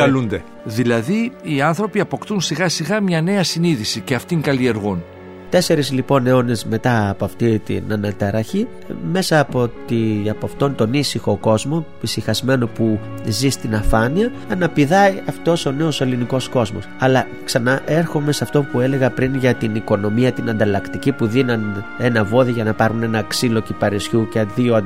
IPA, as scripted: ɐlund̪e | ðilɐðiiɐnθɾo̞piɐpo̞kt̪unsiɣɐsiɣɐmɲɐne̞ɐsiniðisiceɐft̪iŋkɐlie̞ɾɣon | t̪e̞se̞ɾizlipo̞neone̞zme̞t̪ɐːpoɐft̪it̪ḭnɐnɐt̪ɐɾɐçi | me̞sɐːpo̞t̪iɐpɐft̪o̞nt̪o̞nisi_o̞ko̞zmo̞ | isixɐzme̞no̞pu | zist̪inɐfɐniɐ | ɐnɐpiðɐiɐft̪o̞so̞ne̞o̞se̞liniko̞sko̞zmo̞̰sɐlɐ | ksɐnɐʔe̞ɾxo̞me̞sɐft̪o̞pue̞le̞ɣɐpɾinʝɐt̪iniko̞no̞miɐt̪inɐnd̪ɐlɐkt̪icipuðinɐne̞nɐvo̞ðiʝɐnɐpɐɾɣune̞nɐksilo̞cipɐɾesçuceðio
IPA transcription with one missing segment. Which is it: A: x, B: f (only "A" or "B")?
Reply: A